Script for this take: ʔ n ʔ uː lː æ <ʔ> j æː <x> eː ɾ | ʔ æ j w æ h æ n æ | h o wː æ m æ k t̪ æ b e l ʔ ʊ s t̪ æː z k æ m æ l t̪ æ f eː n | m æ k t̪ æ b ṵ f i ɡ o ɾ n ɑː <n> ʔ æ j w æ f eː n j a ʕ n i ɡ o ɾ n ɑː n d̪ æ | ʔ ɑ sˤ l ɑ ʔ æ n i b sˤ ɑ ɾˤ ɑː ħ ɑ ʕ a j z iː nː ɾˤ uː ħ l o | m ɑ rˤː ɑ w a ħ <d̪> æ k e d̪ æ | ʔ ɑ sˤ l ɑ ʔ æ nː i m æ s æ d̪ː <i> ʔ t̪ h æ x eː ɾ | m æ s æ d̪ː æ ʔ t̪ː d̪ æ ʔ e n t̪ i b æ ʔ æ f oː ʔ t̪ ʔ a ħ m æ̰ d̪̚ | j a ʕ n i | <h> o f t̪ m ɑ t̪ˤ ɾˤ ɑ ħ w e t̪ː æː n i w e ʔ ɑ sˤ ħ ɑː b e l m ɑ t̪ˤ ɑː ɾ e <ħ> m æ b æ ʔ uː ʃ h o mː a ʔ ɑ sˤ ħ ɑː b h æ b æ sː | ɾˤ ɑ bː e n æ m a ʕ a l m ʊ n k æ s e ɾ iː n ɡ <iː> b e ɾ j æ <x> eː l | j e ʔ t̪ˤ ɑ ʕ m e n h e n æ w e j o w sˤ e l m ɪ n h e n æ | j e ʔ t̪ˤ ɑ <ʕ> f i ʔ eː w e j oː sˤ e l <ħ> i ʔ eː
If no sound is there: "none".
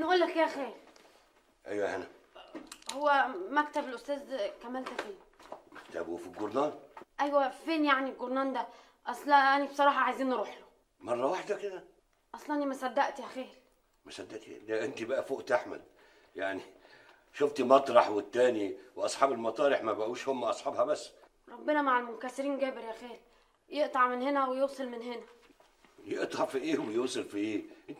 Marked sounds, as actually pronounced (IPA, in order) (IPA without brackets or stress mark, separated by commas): k, x, n, d̪, æ, ʃ, ħ, æː, x, ʕ, f